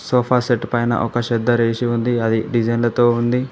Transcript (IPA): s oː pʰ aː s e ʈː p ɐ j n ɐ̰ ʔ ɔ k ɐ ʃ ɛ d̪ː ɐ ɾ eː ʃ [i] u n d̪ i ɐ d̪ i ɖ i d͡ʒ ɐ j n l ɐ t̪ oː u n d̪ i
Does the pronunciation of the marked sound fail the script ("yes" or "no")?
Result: no